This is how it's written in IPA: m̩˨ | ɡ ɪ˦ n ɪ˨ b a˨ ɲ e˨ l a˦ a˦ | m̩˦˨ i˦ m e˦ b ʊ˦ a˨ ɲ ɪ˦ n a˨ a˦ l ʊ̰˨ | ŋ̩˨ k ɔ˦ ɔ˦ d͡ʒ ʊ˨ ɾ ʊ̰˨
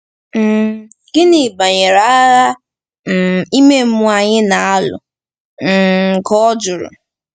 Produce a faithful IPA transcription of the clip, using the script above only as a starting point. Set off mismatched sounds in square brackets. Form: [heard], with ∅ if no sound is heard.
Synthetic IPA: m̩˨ | ɡ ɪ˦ n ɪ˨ b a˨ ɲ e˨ [ɾ] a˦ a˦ | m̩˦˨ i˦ m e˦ [m] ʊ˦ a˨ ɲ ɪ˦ n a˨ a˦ l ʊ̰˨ | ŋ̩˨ k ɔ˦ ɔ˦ d͡ʒ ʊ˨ ɾ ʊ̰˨